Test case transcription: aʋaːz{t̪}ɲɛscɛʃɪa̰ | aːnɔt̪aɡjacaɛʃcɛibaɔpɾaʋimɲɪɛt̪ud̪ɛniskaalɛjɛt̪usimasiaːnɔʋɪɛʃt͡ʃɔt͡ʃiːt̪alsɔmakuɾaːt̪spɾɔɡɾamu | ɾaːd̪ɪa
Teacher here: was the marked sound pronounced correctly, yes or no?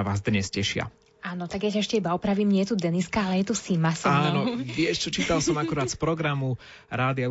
no